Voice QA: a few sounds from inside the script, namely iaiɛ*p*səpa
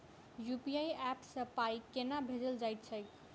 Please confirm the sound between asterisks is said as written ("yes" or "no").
yes